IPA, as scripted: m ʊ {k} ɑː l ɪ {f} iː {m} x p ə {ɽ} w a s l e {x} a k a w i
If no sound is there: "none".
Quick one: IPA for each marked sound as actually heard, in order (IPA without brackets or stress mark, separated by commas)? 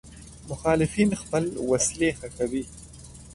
x, f, n, l, x